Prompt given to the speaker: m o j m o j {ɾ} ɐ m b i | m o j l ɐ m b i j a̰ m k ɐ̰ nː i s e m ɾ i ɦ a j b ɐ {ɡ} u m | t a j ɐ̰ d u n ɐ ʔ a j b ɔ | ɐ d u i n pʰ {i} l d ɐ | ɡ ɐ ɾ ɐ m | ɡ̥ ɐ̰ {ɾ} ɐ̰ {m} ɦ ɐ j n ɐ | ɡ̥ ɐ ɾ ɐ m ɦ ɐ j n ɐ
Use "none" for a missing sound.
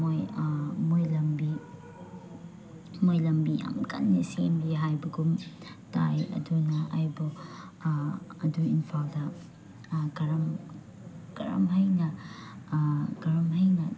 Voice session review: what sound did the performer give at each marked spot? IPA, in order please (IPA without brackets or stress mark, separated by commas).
l, ɡ, a, ɾ, m